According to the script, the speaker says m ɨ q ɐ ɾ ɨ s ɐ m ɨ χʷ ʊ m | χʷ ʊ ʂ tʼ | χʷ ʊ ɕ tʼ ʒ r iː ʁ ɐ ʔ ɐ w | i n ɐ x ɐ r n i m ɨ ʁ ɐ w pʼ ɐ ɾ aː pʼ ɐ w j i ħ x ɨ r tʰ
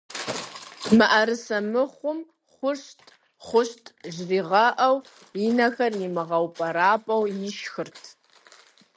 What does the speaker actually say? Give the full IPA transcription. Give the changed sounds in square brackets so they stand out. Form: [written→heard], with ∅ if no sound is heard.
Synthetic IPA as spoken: m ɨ [q→ʔ] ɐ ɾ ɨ s ɐ m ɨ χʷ ʊ m | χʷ ʊ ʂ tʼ | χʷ ʊ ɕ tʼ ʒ r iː ʁ ɐ ʔ ɐ w | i n ɐ x ɐ r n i m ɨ ʁ ɐ w pʼ ɐ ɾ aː pʼ ɐ w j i [ħ→ʃ] x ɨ r tʰ